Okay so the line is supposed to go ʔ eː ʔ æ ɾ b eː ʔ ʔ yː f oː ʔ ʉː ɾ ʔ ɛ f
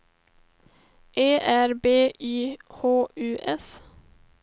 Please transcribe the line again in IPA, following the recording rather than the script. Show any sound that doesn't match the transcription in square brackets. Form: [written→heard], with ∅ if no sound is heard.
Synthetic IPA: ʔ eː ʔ æ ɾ b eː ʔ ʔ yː [f→h] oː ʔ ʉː [ɾ→∅] ʔ ɛ [f→s]